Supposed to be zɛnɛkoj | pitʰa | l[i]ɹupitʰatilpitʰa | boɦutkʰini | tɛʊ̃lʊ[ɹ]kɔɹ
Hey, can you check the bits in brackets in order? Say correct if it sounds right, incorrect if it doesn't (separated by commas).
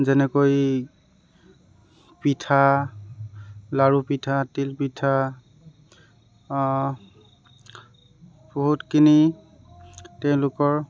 incorrect, incorrect